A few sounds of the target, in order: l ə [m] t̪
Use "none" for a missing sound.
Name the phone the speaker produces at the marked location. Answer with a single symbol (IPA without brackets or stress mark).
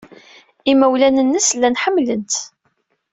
n